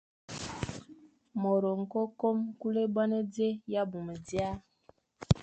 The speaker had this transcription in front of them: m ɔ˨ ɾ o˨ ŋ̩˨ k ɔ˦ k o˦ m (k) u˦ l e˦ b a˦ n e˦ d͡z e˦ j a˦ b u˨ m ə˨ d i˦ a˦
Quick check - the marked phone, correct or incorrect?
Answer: correct